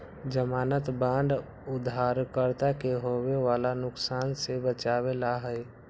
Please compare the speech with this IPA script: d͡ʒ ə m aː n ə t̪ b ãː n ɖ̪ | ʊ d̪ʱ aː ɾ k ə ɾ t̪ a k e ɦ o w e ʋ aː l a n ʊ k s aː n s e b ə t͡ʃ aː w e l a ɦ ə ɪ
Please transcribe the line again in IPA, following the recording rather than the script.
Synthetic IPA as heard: d͡ʒ ə m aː n ə t̪ b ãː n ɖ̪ | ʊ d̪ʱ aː ɾ k ə ɾ t̪ a k e ɦ o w e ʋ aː l a n ʊ k s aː n s e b ə t͡ʃ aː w e l a ɦ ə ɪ